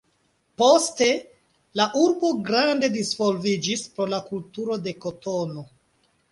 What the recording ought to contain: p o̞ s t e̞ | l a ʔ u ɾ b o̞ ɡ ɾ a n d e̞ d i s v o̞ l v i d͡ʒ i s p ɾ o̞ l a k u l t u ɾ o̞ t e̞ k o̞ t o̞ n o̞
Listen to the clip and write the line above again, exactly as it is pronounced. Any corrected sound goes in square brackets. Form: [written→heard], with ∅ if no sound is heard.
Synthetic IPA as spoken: p o̞ s t e̞ | l a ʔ u ɾ b o̞ ɡ ɾ a n d e̞ d i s v o̞ l v i d͡ʒ i s p ɾ o̞ l a k u l t u ɾ o̞ [t→d] e̞ k o̞ t o̞ n o̞